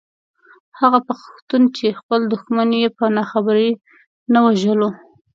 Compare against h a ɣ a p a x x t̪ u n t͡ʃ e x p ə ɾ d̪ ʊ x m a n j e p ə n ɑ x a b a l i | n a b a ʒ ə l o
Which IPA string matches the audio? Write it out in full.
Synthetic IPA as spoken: h a ɣ a p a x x t̪ u n t͡ʃ e x p ə l d̪ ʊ x m a n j e p ə n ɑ x a b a ɾ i | n a w a ʒ ə l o